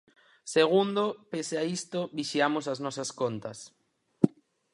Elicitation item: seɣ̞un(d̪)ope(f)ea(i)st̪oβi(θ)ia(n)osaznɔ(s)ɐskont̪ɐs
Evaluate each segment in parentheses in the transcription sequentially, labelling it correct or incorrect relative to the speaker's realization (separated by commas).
correct, incorrect, correct, incorrect, incorrect, correct